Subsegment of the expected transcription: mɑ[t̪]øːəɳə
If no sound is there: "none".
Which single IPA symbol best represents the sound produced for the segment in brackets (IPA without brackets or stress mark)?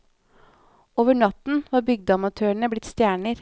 t̪ʰ